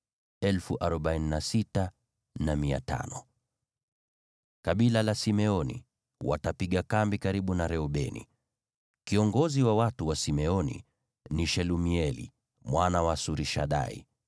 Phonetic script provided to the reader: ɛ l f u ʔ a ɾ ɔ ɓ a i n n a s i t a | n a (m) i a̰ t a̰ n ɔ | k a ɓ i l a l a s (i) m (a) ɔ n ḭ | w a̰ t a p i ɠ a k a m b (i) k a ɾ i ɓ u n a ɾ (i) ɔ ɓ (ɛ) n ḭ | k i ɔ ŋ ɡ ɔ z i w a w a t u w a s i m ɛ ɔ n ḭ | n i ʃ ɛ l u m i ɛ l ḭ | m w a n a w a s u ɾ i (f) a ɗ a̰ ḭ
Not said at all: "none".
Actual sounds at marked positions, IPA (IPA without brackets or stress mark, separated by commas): m, i, ɛ, i, ɛ, ɛ, ʃ